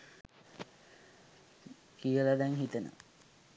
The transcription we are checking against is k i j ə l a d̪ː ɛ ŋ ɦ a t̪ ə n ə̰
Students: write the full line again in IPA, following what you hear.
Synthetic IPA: k i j ə l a d̪ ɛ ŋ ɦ i t̪ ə n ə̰